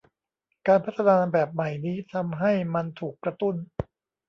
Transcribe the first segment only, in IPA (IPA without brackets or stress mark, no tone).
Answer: k